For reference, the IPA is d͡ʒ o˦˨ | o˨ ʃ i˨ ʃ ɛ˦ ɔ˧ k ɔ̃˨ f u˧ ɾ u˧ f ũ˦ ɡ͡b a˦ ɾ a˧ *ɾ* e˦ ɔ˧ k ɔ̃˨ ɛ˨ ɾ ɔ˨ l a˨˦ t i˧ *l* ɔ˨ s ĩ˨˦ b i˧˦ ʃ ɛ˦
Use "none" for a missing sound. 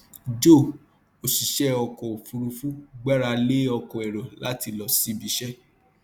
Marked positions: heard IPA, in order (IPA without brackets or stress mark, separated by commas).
l, l